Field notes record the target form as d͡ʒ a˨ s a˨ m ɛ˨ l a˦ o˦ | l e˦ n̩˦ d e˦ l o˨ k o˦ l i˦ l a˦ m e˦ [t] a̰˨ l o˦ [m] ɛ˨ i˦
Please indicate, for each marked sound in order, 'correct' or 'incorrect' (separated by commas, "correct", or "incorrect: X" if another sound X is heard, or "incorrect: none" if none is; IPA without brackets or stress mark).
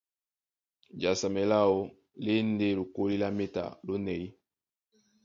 correct, incorrect: n